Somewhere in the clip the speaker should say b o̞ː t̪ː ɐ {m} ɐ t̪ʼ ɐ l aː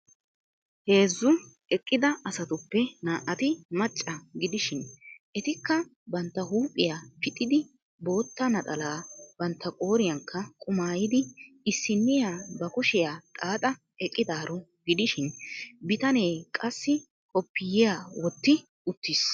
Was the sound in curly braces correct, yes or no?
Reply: no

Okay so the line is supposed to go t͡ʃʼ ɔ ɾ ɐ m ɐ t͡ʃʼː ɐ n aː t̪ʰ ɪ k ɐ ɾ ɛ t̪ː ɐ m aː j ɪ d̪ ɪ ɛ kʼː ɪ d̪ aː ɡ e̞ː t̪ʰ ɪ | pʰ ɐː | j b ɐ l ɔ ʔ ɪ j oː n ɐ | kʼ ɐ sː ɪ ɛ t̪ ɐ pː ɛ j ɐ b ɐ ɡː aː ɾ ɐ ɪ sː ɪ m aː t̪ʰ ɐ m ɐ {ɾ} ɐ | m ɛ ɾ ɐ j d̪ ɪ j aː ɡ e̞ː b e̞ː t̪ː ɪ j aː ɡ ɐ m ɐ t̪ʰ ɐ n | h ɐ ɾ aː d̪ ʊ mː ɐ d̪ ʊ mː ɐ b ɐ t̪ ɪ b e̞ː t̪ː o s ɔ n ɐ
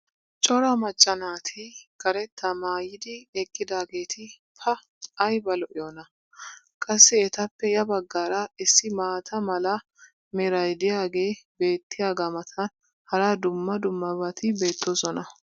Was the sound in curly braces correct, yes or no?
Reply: no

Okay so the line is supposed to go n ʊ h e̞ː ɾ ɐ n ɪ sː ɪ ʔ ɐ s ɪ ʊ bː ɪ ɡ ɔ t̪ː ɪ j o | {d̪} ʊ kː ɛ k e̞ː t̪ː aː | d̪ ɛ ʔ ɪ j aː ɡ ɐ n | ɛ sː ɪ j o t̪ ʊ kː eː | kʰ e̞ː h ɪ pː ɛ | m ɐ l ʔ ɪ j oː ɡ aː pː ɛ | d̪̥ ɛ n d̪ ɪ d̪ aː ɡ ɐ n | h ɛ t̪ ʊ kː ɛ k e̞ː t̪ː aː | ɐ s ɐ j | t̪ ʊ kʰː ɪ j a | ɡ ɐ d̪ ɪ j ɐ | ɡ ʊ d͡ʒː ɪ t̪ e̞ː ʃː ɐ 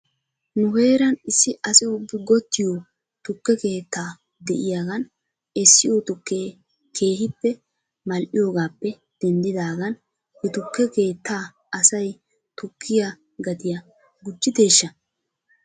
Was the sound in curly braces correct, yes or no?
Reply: no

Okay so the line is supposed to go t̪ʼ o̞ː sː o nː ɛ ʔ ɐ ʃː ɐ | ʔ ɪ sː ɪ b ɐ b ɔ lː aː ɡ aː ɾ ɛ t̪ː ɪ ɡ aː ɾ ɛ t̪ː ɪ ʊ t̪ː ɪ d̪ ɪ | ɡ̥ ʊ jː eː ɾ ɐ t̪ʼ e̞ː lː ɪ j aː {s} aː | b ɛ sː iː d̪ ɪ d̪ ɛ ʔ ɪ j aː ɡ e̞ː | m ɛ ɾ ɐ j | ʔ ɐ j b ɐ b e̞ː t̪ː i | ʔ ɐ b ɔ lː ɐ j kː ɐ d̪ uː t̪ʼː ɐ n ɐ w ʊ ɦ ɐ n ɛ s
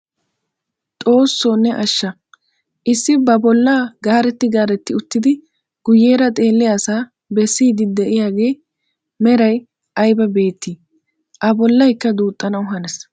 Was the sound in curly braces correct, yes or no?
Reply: yes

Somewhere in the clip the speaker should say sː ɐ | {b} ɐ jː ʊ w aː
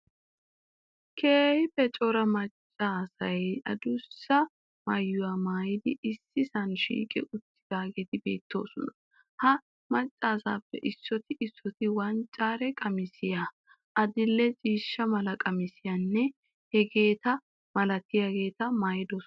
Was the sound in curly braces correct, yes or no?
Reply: no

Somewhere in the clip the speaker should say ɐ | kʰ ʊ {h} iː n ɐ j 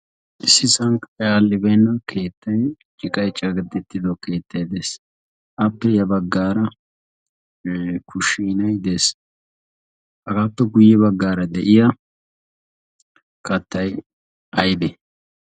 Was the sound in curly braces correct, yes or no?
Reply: no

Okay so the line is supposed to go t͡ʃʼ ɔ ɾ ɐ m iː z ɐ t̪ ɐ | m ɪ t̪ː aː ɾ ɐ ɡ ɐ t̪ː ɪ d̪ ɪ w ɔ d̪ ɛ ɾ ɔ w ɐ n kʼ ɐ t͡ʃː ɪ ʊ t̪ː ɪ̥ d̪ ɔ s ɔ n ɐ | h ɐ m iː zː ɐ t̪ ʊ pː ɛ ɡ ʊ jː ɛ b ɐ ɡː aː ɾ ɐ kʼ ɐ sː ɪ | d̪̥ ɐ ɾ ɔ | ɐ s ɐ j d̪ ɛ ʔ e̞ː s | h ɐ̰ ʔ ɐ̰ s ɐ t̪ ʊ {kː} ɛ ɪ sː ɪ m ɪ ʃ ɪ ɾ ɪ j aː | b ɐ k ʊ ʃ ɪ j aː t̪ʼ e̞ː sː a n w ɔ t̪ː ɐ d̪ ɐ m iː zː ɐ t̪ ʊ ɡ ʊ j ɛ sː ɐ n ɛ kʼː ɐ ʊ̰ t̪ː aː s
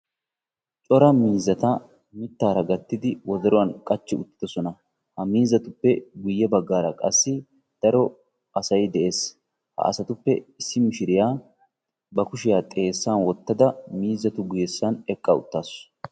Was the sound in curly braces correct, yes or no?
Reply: no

